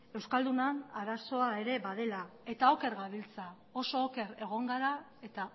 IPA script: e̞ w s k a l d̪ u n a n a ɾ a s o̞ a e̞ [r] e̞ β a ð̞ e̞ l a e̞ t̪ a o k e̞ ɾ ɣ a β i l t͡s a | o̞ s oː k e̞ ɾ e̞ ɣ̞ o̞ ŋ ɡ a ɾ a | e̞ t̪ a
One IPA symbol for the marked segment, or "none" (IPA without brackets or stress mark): ɾ